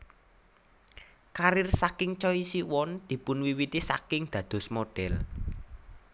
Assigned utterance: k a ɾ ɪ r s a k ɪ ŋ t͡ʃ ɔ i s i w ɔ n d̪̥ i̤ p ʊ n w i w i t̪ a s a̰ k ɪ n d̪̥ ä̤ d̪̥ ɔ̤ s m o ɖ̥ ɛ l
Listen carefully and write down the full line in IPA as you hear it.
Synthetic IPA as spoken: k a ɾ ɪ r s a k ɪ ŋ t͡ʃ ɔ i s i w ɔ n d̪̥ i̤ p ʊ n w i w i t̪ i s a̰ k ɪ ŋ d̪̥ ä̤ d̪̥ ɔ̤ s m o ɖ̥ ɛ l